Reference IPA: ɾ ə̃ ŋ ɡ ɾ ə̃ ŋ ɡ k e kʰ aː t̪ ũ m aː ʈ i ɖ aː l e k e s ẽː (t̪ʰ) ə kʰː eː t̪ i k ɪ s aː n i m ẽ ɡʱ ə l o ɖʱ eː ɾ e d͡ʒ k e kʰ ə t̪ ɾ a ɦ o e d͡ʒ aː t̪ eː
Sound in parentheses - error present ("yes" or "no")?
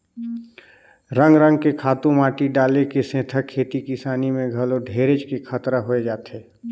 no